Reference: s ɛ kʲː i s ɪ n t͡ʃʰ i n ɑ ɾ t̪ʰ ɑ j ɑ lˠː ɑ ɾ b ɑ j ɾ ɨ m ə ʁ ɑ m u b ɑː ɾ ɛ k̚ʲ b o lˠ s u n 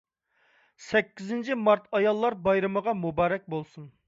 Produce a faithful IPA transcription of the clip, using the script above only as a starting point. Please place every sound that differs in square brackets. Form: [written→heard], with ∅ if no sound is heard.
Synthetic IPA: s ɛ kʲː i [s→z] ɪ n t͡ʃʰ i [n→m] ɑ ɾ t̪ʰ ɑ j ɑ lˠː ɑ ɾ b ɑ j ɾ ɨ m ə ʁ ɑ m u b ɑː ɾ ɛ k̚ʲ b o lˠ s u n